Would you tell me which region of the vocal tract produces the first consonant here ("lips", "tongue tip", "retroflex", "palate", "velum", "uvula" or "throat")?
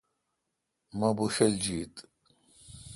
lips